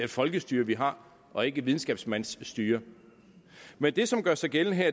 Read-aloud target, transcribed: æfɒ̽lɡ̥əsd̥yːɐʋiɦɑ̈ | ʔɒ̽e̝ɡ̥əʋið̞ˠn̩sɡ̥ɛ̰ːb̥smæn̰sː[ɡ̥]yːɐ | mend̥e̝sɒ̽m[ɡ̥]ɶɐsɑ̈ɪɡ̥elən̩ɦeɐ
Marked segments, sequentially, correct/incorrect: incorrect: d̥, correct

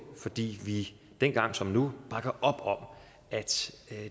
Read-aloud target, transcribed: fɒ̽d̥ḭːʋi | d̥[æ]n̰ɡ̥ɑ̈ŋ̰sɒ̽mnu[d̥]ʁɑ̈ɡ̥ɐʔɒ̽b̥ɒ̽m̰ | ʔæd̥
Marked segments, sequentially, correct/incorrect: incorrect: e, incorrect: b̥

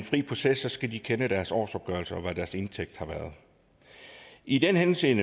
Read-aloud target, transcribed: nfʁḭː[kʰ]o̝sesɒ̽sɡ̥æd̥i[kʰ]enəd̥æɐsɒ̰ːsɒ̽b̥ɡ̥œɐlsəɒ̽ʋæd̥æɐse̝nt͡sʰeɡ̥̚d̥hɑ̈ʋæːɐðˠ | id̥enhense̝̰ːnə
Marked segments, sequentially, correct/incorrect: incorrect: pʰ, correct

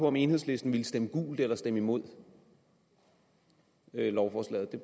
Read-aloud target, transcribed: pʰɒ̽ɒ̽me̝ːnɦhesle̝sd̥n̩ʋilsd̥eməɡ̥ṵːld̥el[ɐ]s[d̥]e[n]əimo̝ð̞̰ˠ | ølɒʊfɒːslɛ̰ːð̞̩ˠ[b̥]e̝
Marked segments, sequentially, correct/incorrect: correct, correct, incorrect: m, incorrect: d̥

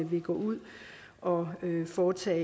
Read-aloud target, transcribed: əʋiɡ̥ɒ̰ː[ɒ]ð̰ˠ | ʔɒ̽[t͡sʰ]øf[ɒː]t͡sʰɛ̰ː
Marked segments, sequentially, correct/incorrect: incorrect: u, incorrect: none, correct

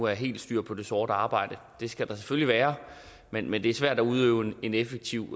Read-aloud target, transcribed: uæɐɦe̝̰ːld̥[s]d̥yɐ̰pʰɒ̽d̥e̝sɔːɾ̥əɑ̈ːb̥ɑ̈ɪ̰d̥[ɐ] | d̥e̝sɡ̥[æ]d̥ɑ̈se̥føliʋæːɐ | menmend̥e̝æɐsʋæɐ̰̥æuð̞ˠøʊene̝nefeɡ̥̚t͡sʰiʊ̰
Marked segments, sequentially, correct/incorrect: correct, incorrect: ə, correct

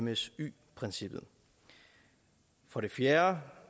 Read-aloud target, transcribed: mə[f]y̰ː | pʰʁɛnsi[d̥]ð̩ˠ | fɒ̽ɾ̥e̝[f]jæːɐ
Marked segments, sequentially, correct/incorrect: incorrect: s, incorrect: b̥, correct

